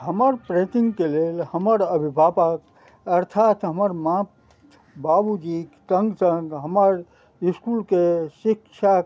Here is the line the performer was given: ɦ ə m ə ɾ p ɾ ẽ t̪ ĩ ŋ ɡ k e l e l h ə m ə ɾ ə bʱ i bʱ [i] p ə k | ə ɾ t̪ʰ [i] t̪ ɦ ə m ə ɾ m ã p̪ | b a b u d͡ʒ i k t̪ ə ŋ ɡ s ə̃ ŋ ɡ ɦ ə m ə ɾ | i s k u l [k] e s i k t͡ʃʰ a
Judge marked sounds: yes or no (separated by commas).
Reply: no, no, yes